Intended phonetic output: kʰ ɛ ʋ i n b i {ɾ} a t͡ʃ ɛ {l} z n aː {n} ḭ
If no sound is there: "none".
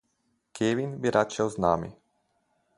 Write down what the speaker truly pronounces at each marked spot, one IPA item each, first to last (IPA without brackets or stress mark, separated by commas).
ɾ, l, m